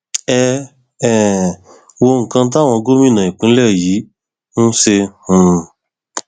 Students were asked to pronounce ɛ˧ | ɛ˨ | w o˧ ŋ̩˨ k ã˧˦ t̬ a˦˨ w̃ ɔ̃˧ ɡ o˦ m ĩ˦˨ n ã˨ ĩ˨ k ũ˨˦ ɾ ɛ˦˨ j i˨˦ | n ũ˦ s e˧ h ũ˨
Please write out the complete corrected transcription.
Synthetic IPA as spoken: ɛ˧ | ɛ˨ | w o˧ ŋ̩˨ k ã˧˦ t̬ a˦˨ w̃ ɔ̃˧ ɡ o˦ m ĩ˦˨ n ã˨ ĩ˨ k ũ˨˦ l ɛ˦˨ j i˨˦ | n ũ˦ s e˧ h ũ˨